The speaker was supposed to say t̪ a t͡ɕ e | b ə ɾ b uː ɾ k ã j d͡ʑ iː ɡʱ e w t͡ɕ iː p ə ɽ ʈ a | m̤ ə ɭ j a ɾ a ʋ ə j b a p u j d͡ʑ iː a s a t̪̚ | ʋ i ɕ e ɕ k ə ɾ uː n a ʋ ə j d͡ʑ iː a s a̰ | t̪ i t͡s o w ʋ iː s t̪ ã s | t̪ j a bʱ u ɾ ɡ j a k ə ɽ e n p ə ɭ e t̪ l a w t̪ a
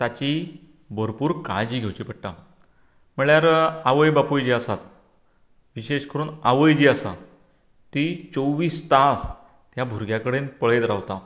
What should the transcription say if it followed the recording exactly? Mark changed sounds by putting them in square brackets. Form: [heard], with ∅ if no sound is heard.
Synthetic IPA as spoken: t̪ a t͡ɕ [i] | b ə ɾ [p] uː ɾ k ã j d͡ʑ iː ɡʱ e w t͡ɕ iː p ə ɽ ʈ a | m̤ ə ɭ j a ɾ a ʋ ə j b a p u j d͡ʑ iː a s a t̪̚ | ʋ i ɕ e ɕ k ə ɾ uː n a ʋ ə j d͡ʑ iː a s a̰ | t̪ i t͡s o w ʋ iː s t̪ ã s | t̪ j a bʱ u ɾ ɡ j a k ə ɽ e n p ə ɭ e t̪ [ɾ] a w t̪ a